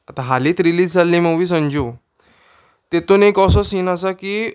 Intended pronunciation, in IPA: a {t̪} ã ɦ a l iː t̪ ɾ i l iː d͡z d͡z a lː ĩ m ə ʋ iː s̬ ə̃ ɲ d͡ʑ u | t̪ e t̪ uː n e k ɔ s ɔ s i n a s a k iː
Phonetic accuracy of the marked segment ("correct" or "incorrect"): correct